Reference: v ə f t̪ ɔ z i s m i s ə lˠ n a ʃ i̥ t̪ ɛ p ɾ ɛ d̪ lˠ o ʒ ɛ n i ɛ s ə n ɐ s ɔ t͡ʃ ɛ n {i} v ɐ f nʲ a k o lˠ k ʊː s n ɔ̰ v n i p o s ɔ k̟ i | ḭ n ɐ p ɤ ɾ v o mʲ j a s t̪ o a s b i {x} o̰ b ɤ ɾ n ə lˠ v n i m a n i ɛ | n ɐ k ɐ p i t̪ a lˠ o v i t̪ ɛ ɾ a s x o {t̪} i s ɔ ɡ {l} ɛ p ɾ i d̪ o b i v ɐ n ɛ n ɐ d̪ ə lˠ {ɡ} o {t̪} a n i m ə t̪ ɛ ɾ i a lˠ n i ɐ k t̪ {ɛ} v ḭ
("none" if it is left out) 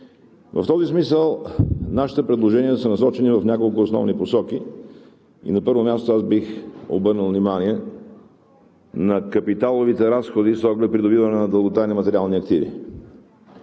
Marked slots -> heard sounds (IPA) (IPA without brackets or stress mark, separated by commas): i, x, d̪, l, ɡ, t̪, i